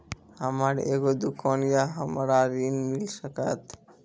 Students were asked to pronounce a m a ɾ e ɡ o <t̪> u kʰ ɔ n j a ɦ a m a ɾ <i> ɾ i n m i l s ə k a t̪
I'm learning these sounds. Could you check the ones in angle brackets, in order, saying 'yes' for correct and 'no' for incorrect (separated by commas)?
no, no